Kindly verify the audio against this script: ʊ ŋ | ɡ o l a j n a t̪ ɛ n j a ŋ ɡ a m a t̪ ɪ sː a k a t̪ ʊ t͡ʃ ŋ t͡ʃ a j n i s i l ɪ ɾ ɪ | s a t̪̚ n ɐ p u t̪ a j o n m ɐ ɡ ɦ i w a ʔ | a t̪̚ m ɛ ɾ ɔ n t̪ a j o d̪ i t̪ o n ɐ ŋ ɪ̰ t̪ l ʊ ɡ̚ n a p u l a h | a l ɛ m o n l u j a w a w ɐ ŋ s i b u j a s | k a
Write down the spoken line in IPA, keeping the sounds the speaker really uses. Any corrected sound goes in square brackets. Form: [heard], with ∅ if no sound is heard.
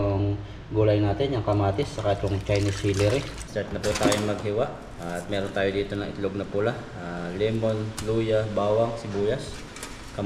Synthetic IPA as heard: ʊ ŋ | ɡ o l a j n a t̪ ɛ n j a ŋ [k] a m a t̪ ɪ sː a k a t̪ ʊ [∅] ŋ t͡ʃ a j n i s i l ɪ ɾ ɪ | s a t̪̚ n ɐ p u t̪ a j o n m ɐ ɡ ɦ i w a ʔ | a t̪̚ m ɛ ɾ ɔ n t̪ a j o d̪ i t̪ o n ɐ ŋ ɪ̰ t̪ l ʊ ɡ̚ n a p u l a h | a l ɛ m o n l u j a [b] a w [a] ŋ s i b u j a s | k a